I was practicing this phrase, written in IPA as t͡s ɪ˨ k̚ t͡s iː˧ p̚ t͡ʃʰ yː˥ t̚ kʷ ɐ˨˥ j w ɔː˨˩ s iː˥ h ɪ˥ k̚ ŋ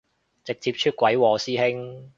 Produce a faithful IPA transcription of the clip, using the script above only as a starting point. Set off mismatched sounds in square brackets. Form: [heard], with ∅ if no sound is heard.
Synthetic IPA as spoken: t͡s ɪ˨ k̚ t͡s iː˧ p̚ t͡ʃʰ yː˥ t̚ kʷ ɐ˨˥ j w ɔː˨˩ s iː˥ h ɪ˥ [∅] ŋ